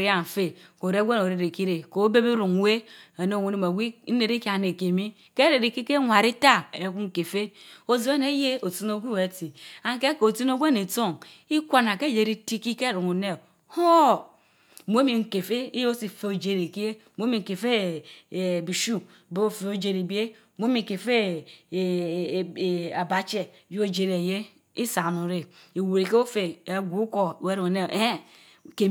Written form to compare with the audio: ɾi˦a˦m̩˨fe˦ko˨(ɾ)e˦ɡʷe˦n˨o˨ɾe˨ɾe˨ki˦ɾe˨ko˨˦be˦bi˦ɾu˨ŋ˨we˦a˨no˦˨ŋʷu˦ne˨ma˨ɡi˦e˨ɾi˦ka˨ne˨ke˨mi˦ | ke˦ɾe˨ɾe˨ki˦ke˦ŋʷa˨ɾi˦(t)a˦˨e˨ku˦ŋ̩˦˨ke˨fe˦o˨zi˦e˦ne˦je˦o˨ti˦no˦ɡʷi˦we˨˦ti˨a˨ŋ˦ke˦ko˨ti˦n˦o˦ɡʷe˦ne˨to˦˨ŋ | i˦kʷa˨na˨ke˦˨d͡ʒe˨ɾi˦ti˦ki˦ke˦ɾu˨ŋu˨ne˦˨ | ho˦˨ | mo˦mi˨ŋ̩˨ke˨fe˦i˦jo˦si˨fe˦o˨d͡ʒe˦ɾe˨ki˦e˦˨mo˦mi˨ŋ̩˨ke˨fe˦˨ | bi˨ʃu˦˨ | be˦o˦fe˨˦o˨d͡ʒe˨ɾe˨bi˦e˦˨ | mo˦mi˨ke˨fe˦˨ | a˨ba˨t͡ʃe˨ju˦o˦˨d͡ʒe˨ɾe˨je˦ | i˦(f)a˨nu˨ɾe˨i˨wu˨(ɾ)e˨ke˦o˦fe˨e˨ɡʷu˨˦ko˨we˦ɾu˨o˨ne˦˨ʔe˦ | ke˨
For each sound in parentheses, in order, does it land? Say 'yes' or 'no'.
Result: yes, yes, no, yes

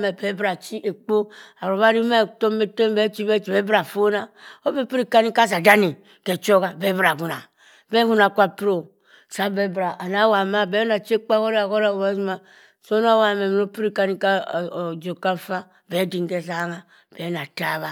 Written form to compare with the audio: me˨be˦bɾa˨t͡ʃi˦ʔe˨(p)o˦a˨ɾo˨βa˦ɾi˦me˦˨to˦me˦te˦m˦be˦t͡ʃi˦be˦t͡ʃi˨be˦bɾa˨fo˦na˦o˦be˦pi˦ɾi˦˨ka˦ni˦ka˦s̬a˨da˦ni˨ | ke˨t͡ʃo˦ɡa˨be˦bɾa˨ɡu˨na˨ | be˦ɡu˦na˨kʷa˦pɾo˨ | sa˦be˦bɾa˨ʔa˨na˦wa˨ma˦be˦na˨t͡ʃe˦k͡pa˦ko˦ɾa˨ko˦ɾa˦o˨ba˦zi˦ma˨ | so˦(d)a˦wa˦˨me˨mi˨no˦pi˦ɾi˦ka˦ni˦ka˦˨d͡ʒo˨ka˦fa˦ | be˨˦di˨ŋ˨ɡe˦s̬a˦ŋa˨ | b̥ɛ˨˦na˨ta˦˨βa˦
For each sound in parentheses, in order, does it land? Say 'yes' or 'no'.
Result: no, no

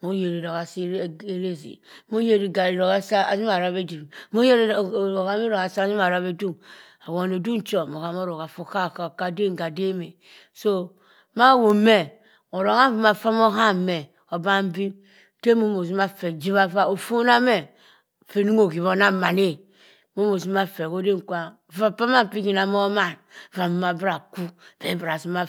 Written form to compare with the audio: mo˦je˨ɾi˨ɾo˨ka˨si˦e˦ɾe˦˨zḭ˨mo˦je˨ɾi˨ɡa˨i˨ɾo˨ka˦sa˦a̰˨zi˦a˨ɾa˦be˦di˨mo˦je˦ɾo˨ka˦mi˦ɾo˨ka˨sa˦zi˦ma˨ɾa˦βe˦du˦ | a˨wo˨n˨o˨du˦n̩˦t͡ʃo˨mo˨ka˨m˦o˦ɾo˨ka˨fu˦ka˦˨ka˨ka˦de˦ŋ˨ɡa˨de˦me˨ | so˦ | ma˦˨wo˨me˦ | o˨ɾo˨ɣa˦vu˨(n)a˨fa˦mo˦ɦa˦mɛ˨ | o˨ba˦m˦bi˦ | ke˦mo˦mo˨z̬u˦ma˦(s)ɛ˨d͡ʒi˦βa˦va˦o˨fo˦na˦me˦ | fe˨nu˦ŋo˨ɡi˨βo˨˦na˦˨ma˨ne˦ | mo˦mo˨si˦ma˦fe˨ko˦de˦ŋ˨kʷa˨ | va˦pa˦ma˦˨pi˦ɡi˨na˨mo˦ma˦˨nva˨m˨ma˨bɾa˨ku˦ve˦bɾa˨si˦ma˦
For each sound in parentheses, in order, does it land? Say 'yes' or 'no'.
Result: no, no

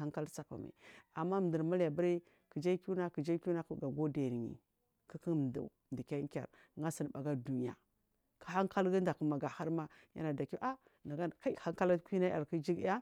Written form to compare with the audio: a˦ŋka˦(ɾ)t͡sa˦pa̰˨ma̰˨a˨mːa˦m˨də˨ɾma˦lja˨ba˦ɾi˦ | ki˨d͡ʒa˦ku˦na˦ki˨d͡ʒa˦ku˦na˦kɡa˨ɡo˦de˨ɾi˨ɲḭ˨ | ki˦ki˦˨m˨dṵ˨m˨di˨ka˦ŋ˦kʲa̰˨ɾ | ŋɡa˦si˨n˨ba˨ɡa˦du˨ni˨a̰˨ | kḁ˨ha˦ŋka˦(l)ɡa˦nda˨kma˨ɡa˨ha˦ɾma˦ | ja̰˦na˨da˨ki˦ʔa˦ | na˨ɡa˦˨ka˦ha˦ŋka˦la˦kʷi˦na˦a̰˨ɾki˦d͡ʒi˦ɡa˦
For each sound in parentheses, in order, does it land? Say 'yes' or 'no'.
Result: no, yes

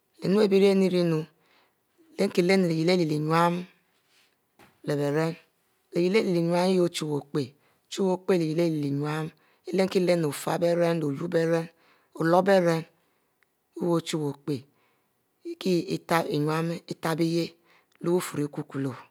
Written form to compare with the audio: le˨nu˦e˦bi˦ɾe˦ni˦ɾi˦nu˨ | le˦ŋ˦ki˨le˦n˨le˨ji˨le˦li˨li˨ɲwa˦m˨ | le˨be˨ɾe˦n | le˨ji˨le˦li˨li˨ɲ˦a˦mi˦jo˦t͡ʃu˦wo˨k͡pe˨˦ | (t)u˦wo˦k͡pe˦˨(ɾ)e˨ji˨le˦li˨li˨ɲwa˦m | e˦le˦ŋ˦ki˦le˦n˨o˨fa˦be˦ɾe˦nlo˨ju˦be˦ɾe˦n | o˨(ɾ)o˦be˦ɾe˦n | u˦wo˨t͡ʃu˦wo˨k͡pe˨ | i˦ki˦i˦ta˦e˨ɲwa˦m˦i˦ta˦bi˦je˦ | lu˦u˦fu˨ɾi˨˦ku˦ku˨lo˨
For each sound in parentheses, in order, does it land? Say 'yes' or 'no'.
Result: no, no, no

